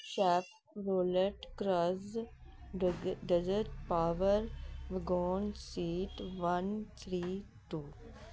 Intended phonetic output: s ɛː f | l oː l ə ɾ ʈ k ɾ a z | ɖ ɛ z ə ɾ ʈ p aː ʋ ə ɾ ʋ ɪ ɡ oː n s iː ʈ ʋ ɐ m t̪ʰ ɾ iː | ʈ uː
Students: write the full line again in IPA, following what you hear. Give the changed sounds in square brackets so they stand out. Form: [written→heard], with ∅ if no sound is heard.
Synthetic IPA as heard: [s→ʃ] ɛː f | [l→ɾ] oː l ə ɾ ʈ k ɾ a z | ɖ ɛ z ə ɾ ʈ p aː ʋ ə ɾ ʋ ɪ ɡ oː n s iː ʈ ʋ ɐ [m→n] t̪ʰ ɾ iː | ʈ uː